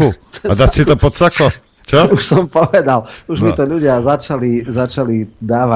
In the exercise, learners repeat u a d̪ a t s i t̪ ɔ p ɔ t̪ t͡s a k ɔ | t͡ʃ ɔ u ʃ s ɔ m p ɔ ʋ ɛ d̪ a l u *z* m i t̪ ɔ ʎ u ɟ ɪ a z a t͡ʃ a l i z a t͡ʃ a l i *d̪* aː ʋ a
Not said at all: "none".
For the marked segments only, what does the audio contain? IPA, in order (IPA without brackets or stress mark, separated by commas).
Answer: ʒ, d̪